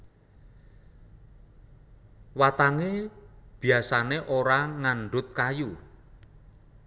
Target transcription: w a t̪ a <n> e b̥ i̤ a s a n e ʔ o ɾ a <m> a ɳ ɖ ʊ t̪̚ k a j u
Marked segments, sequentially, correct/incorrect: incorrect: ŋ, incorrect: ŋ

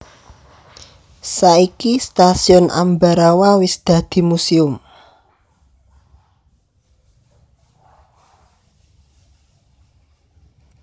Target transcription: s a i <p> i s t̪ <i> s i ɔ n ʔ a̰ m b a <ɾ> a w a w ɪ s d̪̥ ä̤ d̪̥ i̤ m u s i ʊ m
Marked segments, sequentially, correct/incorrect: incorrect: k, incorrect: a, correct

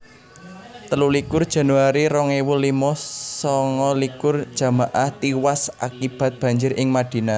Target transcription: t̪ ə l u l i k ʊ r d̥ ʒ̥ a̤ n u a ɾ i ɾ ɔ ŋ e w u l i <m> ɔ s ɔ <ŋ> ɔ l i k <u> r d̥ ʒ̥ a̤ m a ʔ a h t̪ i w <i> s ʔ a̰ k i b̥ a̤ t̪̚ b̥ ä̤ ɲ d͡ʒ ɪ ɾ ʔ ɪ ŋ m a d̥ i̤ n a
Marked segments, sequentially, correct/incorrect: correct, correct, incorrect: ʊ, incorrect: a

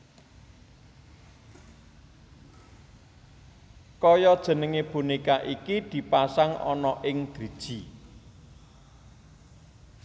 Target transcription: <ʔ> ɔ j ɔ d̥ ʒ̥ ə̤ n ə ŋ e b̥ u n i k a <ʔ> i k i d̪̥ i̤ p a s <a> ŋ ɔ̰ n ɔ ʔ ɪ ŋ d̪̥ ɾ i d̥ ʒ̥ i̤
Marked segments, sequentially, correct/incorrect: incorrect: k, correct, correct

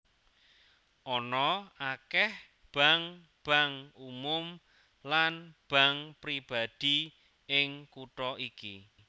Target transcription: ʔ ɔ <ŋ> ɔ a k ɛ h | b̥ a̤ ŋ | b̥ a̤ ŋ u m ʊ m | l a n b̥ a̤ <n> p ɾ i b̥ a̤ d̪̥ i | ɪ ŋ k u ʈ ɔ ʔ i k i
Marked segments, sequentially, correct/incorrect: incorrect: n, incorrect: ŋ

